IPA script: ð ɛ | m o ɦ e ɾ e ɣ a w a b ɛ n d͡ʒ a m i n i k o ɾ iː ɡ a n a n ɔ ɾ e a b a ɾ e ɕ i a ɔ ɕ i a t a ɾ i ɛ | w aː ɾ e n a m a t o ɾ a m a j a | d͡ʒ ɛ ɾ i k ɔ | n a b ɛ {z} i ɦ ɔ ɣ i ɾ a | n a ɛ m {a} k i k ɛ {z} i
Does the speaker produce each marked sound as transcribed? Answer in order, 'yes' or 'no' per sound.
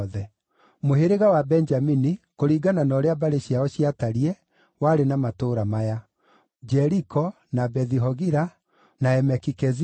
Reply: no, no, yes

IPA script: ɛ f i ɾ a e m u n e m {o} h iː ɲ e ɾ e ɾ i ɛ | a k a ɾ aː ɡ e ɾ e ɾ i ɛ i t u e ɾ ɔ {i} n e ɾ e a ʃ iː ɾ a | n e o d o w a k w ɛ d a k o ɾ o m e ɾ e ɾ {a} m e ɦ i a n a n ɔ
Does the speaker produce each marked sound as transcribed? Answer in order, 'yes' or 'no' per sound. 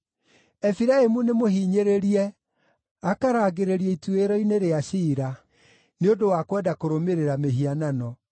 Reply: yes, yes, yes

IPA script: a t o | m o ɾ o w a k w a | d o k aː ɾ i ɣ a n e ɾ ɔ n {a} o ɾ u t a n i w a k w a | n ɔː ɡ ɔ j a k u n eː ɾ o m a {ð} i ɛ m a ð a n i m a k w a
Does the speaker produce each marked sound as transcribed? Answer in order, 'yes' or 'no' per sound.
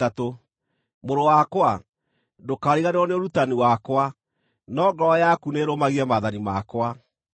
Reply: no, no

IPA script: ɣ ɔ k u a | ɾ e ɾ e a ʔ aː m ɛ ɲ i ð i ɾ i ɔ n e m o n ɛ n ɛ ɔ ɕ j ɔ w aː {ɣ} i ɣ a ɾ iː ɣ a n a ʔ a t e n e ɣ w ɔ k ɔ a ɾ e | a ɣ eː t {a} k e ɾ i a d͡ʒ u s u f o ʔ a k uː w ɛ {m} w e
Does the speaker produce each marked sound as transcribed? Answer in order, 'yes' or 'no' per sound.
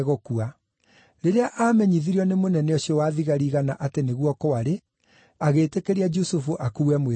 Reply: no, no, yes

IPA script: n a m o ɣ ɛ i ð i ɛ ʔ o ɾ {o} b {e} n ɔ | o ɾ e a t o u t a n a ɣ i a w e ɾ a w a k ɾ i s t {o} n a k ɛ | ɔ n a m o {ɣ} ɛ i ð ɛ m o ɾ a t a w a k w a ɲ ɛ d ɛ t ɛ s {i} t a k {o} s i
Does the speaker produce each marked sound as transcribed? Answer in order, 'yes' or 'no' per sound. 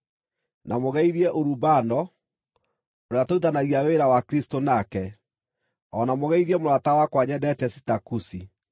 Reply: no, no, yes, yes, yes, no

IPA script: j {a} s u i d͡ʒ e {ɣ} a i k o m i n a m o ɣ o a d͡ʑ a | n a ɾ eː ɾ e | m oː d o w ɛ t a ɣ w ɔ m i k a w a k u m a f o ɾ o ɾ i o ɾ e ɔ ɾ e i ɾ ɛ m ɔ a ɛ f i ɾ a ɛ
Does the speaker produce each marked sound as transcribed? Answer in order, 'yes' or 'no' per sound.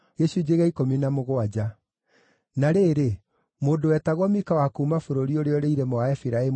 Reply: no, yes

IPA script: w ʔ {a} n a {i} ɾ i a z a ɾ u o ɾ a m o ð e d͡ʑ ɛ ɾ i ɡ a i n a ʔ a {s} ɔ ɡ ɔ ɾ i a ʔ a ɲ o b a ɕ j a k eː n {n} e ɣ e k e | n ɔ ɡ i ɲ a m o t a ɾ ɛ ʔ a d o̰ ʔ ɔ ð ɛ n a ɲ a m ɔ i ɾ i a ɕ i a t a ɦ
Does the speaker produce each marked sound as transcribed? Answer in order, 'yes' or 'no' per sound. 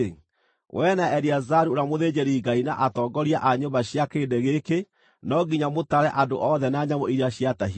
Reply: no, no, no, no

